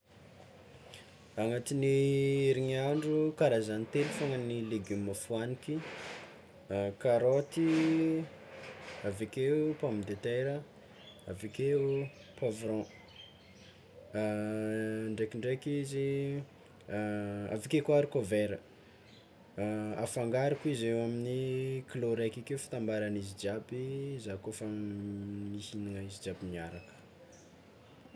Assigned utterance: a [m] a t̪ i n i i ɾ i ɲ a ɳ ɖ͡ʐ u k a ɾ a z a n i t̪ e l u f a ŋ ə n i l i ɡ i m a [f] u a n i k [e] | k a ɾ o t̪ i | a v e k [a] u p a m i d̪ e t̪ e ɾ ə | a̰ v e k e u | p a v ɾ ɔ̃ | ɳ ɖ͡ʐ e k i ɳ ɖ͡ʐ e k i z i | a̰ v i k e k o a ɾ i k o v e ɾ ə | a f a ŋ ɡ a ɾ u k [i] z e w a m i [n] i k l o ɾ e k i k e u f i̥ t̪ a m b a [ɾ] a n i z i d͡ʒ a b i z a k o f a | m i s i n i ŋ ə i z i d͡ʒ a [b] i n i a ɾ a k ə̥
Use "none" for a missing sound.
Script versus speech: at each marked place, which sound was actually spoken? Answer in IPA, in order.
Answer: ŋ, f, i, e, i, n, ɾ, b

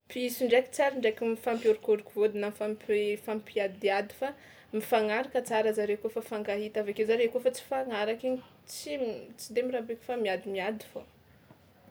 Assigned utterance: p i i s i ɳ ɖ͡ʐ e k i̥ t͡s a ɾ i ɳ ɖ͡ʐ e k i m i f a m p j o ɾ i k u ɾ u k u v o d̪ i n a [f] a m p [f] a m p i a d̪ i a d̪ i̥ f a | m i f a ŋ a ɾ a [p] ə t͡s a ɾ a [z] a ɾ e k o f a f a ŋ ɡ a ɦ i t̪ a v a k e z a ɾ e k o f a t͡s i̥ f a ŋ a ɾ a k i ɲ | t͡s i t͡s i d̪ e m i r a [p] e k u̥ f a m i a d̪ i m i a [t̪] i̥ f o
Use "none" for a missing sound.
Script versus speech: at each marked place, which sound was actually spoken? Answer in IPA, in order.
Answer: f, f, k, z, b, d̪

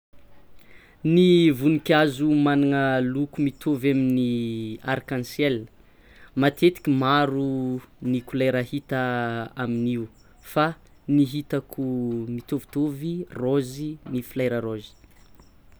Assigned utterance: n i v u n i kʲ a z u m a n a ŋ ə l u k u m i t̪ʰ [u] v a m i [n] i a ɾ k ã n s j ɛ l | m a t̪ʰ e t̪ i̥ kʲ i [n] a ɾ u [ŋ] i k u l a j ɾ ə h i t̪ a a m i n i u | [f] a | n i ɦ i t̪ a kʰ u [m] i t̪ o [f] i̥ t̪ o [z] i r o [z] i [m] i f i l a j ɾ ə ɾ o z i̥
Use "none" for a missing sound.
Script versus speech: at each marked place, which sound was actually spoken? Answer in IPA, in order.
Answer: o, n, m, n, f, m, v, v, z, n

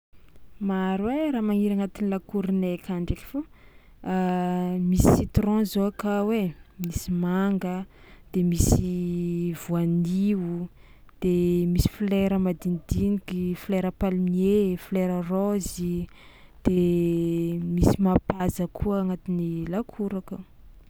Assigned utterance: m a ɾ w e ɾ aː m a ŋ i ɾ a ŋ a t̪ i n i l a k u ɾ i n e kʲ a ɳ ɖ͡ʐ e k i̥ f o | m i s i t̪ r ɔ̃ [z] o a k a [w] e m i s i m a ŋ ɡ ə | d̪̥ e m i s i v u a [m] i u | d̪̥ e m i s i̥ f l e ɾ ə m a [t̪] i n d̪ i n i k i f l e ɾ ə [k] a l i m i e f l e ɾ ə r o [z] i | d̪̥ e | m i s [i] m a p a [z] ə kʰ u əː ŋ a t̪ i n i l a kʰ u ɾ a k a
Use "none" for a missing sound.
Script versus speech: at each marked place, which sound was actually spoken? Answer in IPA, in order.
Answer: z, w, n, d̪, p, z, i, z

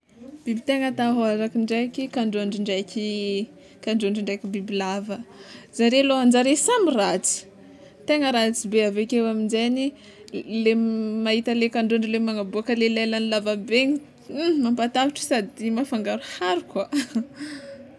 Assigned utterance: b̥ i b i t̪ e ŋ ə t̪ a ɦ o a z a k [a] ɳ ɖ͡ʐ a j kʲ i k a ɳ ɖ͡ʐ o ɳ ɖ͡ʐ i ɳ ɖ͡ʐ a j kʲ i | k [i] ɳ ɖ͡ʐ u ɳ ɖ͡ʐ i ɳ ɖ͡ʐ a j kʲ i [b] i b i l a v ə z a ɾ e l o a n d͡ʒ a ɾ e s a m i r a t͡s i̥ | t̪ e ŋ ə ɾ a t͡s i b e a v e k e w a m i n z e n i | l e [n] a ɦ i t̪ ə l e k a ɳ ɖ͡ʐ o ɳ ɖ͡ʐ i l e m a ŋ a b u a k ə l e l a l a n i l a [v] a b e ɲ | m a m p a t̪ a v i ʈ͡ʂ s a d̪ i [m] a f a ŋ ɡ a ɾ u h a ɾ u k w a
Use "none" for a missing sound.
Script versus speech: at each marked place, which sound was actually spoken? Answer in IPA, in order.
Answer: i, a, b, m, v, m

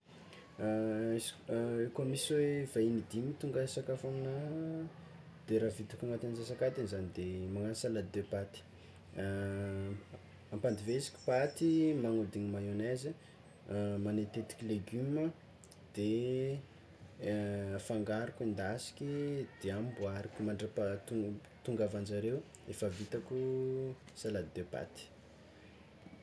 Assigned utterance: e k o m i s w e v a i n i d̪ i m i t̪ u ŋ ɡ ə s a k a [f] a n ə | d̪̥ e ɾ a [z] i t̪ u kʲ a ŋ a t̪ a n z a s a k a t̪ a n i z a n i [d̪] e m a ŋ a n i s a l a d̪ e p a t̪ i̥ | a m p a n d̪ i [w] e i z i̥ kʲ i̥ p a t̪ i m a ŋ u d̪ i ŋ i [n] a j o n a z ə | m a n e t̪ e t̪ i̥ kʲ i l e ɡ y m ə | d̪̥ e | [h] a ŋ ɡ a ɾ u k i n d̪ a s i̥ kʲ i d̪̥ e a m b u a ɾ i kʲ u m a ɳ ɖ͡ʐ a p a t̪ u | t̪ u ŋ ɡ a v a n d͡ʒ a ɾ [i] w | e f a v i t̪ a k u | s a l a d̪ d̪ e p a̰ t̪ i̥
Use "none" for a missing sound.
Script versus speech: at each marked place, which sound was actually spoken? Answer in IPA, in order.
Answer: f, v, d̪, v, m, f, e

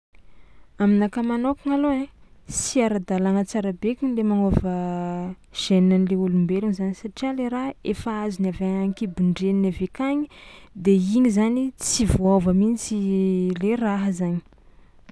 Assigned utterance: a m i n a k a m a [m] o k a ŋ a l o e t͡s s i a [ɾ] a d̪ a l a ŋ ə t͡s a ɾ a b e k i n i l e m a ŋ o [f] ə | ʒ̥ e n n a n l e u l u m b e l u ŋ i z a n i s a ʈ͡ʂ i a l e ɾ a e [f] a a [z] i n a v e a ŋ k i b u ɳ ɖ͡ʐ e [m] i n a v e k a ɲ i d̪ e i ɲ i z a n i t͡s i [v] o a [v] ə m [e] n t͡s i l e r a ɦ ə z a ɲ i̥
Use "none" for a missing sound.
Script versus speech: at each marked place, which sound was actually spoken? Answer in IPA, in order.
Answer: n, ɾ, v, f, z, n, v, v, i

